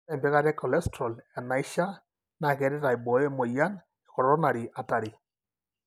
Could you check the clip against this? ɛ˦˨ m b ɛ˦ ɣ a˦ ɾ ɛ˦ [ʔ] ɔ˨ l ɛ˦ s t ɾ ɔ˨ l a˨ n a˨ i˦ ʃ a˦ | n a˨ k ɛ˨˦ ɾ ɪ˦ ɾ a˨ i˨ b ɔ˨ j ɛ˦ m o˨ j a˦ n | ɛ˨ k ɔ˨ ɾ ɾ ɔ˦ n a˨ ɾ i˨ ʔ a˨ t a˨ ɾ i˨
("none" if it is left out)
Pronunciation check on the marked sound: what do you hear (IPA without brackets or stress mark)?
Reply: k